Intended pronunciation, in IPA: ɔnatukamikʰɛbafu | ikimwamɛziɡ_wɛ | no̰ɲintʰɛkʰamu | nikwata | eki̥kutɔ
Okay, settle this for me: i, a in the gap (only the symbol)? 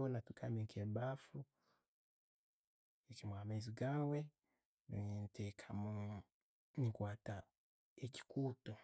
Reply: a